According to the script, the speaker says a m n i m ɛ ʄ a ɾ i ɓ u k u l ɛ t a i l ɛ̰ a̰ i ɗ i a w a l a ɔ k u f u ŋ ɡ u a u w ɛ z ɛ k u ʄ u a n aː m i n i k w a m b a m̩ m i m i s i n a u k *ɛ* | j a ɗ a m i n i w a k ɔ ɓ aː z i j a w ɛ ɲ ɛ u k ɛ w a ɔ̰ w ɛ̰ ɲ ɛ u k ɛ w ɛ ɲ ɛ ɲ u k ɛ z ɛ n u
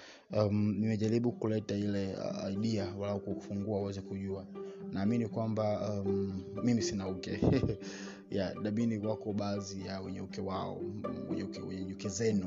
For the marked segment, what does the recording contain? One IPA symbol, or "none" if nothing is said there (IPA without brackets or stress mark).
ɛ